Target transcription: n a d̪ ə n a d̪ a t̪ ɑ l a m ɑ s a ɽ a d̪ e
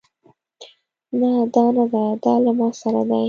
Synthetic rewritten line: n a d̪ ɑ n a d̪ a d̪ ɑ l a m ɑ s a ɾ a d̪ a

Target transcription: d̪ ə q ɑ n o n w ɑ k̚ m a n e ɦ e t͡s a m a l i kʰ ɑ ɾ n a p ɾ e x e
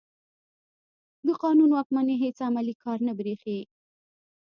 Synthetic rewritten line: d̪ ə q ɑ n u n w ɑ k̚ m a n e ɦ e t͡s a m a l i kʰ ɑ ɾ n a b ɾ e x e

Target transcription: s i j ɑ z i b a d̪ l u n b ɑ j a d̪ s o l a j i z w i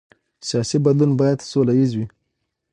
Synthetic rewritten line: s i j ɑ s i b a d̪ l u n b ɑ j a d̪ s o l a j i z w i

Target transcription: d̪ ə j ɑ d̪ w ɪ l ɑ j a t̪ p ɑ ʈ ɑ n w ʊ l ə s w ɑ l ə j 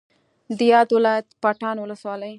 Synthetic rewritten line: d̪ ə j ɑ d̪ w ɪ l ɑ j a t̪ p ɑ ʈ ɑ n w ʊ l ə s w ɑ l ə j

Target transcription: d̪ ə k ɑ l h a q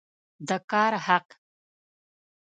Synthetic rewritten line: d̪ ə k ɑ ɾ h a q

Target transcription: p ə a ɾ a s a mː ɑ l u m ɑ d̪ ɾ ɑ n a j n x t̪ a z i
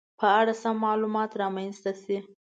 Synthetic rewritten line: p ə a ɽ a s a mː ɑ l u m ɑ t̪ ɾ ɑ m a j n s t̪ a s i

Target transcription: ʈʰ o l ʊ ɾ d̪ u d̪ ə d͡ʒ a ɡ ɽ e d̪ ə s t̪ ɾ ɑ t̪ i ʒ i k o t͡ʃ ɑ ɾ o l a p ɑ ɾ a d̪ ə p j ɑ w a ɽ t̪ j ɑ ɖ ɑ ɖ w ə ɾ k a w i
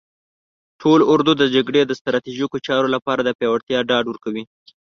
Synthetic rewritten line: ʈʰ o l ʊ ɾ d̪ u d̪ ə d͡ʒ a ɡ ɽ e d̪ ə s t̪ ɾ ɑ t̪ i ʒ i k o t͡ʃ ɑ ɾ o l a p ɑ ɾ a d̪ ə p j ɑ w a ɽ t̪ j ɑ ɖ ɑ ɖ w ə ɾ k a w i

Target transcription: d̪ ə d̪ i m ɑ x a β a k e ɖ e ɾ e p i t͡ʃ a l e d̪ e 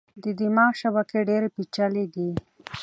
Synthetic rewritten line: d̪ ə d̪ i m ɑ ʃ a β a k e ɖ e ɾ e p i t͡ʃ a l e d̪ i

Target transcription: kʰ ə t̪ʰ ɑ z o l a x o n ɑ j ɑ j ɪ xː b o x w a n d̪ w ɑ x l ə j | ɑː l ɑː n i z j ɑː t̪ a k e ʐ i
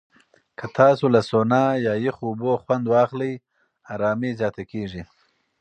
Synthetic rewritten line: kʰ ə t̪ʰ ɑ s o l a s o n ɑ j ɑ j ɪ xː b o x w a n d̪ w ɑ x l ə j | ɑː ɾ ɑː m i z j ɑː t̪ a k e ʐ i

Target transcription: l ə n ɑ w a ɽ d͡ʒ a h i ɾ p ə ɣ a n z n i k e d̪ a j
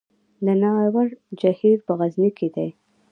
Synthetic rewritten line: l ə n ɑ w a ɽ d͡ʒ a h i ɾ p ə ɣ a z n i k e d̪ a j

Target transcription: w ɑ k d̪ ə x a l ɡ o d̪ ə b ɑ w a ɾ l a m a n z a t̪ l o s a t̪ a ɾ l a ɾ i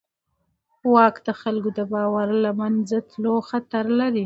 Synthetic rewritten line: w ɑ k d̪ ə x a l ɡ o d̪ ə b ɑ w a ɾ l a m a n z a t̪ l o x a t̪ a ɾ l a ɾ i

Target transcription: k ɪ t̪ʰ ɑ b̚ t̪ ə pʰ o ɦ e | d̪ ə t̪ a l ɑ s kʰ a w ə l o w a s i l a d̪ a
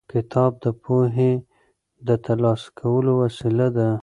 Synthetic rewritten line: k ɪ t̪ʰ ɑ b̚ d̪ ə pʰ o ɦ e | d̪ ə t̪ a l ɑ s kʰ a w ə l o w a s i l a d̪ a

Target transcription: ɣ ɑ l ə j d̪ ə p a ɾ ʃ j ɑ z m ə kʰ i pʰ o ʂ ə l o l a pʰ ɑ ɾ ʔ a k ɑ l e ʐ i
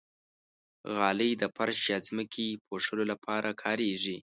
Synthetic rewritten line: ɣ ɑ l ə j d̪ ə p a ɾ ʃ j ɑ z m ə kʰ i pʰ o ʂ ə l o l a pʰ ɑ ɾ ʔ a kʰ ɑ ɾ e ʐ i

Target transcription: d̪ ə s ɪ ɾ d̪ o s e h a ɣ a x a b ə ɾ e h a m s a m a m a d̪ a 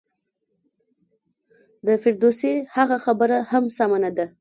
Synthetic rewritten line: d̪ ə f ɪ ɾ d̪ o s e h a ɣ a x a b ə ɾ a h a m s a m a n a d̪ a

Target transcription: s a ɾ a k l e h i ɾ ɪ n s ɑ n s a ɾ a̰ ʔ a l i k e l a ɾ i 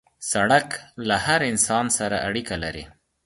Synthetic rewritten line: s a ɽ a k l a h a ɾ ɪ n s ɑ n s a ɾ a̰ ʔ a ɽ i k a l a ɾ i

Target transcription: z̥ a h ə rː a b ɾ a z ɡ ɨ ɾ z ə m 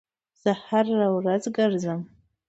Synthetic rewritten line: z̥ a h a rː a w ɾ a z ɡ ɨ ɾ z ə m

